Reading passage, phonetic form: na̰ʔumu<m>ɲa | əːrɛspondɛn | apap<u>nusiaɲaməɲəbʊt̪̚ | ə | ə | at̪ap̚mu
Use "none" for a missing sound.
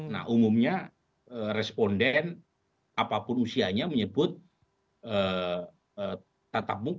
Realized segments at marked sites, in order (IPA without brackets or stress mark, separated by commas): m, ʊ